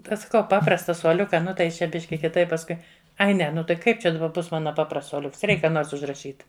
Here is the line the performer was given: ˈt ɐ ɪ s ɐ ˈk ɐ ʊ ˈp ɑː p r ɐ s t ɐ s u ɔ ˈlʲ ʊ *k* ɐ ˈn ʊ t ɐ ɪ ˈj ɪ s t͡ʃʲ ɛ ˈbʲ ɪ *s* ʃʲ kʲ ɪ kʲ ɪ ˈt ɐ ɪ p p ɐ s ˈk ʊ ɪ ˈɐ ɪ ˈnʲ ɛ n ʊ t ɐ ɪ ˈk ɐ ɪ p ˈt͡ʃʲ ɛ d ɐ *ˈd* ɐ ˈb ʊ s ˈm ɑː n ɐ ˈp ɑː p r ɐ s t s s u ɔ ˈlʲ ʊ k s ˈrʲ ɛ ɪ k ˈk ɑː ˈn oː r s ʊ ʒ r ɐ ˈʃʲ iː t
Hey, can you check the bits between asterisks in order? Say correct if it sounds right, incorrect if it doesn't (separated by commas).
correct, incorrect, incorrect